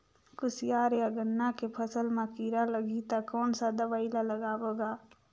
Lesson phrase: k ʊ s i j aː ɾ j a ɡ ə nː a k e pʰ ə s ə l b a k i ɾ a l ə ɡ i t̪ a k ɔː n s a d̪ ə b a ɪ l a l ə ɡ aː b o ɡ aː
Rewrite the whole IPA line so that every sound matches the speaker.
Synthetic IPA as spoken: k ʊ s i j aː ɾ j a ɡ ə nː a k e pʰ ə s ə l m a k i ɾ a l ə ɡ i t̪ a k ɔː n s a d̪ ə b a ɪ l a l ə ɡ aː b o ɡ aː